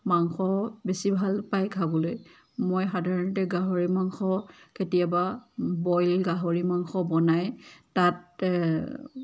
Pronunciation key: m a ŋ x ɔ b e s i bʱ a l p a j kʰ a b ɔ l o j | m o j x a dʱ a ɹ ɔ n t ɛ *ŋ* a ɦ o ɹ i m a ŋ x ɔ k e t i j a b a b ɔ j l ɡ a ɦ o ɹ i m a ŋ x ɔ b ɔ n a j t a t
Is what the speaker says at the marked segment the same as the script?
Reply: no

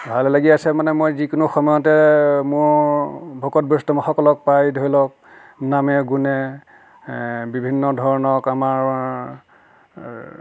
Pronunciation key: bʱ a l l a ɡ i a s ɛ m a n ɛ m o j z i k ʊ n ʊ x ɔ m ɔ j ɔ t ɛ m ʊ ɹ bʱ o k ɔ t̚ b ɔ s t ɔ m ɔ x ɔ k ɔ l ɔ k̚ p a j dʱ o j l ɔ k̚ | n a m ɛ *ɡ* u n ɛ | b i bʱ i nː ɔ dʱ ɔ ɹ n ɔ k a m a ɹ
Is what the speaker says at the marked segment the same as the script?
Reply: yes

